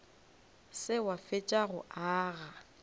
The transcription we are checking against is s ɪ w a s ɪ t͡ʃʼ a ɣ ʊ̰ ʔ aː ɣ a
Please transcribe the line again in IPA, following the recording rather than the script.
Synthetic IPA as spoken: s ɪ w a f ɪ t͡ʃʼ a ɣ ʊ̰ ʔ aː ɣ a